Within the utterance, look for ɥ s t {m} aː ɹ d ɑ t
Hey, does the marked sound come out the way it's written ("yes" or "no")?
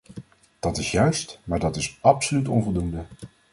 yes